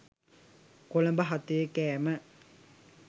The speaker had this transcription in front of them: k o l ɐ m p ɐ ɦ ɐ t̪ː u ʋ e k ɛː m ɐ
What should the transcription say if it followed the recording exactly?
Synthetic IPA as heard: k o l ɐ m b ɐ ɦ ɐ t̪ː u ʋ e k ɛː m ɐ

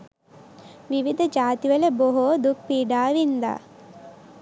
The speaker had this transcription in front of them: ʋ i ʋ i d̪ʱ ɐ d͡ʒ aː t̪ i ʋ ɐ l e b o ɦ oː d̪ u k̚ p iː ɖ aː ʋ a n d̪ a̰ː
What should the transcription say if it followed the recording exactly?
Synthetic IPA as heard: ʋ i ʋ i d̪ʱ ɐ d͡ʒ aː t̪ i ʋ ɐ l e b o ɦ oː d̪ u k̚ p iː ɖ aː ʋ i n d̪ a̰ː

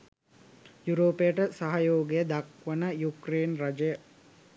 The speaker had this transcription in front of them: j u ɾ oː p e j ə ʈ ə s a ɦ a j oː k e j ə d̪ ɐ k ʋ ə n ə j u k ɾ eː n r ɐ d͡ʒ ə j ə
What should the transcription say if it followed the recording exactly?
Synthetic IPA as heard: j u ɾ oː p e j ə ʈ ə s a ɦ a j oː ɡ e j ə d̪ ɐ k ʋ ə n ə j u k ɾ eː n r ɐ d͡ʒ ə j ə

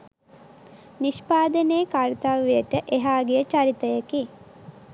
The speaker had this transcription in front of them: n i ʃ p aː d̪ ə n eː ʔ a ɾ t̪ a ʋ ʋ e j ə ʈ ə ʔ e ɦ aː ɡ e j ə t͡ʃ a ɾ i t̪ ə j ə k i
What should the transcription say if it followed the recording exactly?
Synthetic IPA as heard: n i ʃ p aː d̪ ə n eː k a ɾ t̪ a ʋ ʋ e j ə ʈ ə ʔ e ɦ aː ɡ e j ə t͡ʃ a ɾ i t̪ ə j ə k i

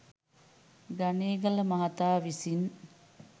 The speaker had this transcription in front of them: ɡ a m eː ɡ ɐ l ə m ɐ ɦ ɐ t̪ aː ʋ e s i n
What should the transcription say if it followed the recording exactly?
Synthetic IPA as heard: ɡ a n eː ɡ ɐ l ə m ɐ ɦ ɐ t̪ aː ʋ i s i n

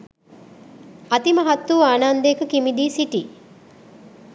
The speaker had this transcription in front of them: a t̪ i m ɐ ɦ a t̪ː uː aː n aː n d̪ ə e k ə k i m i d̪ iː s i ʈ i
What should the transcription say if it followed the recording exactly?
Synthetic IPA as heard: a t̪ i m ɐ ɦ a t̪ː uː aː n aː n d̪ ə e k ə k i m i d̪ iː s i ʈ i

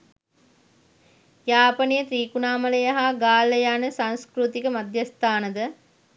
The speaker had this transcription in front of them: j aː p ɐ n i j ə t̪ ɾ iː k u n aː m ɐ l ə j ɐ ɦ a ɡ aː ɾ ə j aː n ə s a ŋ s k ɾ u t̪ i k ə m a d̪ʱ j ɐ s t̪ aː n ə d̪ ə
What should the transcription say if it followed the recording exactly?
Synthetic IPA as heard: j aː p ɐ n i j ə t̪ ɾ iː k u n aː m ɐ l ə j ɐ ɦ a ɡ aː l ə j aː n ə s a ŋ s k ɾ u t̪ i k ə m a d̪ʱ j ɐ s t̪ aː n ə d̪ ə

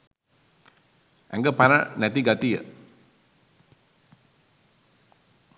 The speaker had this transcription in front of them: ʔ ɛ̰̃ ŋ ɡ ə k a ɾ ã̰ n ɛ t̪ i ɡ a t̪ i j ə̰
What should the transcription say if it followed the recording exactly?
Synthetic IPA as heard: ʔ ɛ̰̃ ŋ ɡ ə p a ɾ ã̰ n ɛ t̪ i ɡ a t̪ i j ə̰

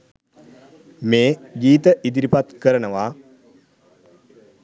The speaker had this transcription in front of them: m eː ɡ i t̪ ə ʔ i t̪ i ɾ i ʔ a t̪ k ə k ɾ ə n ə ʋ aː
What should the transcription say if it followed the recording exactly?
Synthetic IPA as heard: m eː ɡ iː t̪ ə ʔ i d̪ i ɾ i p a t̪ k ə ɾ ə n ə ʋ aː

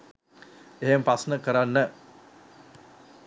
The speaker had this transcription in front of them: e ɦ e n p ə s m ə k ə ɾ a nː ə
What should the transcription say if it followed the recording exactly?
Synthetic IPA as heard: e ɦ e m p a s n ə k ə ɾ a nː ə

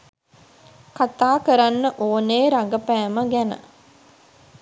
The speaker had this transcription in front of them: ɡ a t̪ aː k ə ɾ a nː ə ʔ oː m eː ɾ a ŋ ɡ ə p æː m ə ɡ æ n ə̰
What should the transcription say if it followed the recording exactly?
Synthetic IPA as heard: k a t̪ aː k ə ɾ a nː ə ʔ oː n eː ɾ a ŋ ɡ ə p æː m ə ɡ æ n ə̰

